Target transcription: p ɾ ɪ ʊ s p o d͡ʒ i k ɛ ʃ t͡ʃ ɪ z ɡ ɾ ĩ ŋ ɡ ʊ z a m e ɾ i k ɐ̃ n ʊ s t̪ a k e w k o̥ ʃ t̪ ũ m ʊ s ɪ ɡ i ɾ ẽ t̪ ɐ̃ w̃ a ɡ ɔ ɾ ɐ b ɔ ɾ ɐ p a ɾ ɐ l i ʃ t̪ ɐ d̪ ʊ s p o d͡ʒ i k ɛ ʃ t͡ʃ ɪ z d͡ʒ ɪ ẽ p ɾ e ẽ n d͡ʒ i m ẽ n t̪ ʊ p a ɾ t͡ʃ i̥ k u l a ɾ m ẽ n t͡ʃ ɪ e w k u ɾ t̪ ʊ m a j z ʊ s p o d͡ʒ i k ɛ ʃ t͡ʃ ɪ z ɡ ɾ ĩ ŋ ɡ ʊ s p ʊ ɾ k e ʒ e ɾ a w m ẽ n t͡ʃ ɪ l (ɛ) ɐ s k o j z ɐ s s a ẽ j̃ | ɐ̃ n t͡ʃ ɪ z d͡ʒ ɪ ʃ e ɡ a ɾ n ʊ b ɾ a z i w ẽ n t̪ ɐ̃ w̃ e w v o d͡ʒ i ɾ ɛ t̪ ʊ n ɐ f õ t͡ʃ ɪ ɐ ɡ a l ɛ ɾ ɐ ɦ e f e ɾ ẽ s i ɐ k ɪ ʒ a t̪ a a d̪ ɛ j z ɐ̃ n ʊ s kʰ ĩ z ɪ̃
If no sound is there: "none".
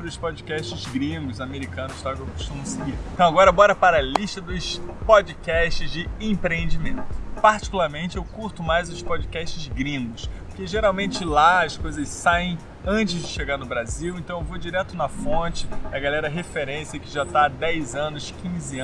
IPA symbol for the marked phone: a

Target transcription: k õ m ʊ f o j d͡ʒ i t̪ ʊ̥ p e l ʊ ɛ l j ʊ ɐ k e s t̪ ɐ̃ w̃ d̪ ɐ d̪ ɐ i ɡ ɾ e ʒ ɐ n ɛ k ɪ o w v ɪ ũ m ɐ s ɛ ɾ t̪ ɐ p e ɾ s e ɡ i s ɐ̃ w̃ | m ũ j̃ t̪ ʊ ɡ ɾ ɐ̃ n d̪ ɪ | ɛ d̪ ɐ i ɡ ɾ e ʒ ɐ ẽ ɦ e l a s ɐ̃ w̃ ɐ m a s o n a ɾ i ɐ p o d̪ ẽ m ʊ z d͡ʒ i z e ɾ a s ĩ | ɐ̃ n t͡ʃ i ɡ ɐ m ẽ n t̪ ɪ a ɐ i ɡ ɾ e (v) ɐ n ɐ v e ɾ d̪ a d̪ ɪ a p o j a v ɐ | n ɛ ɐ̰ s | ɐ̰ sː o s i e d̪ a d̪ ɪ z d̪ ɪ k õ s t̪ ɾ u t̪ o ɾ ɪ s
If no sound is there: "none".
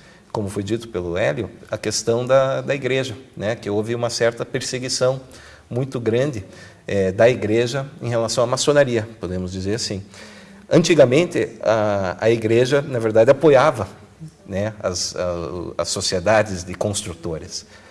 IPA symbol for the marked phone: ʒ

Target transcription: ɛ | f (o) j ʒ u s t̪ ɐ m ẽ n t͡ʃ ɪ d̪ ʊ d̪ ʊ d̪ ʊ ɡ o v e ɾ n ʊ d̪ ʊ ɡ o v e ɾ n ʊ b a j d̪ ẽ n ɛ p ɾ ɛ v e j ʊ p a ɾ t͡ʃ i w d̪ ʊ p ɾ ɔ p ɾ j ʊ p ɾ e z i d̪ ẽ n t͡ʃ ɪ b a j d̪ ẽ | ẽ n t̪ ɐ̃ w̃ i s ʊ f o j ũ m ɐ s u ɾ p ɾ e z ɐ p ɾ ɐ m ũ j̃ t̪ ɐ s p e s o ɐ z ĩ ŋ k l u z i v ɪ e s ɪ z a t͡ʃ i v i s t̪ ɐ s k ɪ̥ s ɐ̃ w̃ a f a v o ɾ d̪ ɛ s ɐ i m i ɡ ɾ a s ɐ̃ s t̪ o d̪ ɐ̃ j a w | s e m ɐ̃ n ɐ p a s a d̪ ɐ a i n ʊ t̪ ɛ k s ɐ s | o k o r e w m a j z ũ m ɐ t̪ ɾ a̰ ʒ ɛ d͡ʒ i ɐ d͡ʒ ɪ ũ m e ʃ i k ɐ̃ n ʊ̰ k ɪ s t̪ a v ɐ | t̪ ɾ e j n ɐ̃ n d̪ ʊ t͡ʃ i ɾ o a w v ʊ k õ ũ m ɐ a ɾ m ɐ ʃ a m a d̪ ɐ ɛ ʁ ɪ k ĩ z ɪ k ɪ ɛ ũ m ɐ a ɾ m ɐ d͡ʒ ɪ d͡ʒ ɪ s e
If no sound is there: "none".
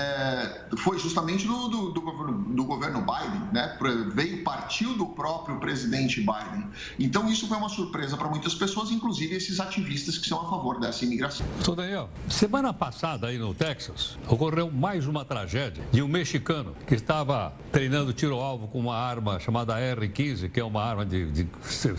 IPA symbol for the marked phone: o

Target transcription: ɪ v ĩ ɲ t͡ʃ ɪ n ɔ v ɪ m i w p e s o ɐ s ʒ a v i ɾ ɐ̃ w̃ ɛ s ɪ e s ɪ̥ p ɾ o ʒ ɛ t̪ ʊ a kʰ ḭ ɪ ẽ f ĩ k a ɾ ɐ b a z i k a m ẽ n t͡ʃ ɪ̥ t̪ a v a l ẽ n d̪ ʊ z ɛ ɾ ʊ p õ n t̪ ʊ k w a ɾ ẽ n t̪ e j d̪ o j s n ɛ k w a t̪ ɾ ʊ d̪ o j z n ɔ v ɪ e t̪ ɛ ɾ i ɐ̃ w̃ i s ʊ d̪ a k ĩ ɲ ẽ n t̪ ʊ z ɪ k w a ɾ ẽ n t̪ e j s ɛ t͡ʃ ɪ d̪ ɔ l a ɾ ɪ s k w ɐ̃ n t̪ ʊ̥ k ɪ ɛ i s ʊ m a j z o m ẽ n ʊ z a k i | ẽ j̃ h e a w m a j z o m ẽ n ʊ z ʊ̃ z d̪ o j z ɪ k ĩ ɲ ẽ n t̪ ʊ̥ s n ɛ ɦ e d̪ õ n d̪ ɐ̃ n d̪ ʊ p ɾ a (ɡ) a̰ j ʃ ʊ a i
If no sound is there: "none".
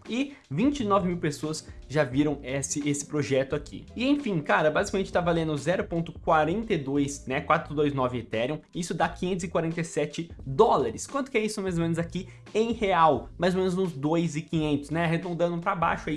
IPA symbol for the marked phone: b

